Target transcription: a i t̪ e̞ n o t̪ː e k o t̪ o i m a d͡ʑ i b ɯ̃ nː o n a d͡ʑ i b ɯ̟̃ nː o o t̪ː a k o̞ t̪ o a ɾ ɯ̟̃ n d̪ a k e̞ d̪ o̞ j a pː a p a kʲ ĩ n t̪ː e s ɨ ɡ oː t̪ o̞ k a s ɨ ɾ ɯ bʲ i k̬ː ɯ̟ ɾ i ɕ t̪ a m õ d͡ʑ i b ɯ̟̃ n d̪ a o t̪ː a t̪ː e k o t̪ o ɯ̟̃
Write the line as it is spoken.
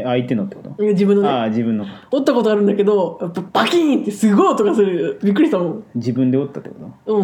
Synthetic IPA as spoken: a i t̪ e̞ n o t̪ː e k o t̪ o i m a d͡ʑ i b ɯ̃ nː o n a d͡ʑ i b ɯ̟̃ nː o o t̪ː a k o̞ t̪ o a ɾ ɯ̟̃ n d̪ a k e̞ d̪ o̞ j a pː a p a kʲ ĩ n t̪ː e s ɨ ɡ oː t̪ o̞ k a s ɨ ɾ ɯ bʲ i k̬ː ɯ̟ ɾ i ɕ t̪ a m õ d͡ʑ i b ɯ̟̃ n d̪ e o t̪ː a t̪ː e k o t̪ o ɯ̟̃